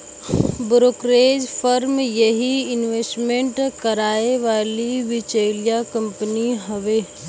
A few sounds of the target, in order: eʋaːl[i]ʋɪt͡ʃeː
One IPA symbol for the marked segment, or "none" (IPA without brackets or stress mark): i